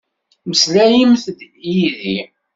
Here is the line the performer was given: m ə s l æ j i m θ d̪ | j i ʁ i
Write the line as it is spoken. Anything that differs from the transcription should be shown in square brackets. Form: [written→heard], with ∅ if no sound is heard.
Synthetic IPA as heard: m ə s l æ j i m θ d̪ | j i [ʁ→ð] i